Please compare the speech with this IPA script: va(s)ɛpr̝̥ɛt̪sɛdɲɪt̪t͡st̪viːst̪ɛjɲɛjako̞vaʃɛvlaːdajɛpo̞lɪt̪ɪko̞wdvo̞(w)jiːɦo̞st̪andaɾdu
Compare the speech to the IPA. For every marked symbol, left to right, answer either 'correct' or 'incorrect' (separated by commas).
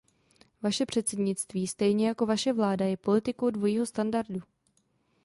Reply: incorrect, incorrect